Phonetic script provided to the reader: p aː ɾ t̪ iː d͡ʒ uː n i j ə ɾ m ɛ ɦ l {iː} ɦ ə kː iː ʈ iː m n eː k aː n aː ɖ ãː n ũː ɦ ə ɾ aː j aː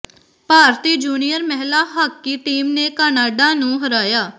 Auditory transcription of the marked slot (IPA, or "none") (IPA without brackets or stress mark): aː